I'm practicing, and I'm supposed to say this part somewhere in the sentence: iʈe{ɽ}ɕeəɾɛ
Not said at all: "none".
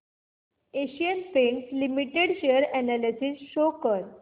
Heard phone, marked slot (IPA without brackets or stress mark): ɽ